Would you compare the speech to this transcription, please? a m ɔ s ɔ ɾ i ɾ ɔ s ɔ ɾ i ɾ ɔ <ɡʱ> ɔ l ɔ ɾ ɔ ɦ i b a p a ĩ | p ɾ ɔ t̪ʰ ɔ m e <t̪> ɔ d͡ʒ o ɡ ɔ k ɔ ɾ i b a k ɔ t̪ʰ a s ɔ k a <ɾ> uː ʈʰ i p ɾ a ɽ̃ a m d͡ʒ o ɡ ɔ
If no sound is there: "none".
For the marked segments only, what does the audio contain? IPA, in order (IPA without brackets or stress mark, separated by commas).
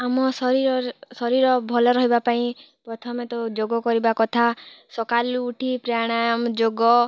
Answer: bʱ, t̪, l